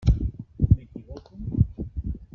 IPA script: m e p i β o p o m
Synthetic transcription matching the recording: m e k i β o k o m